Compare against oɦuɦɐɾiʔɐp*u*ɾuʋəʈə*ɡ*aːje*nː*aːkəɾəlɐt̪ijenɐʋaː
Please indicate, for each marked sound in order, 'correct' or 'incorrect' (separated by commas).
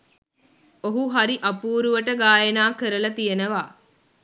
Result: incorrect, correct, incorrect